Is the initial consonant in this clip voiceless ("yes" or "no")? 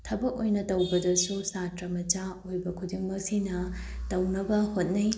yes